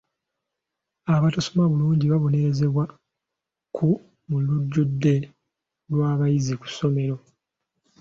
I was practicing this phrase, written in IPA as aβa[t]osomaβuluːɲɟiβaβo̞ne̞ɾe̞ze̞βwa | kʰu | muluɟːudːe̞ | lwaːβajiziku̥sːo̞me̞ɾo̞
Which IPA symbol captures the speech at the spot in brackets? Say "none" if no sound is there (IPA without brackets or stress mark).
t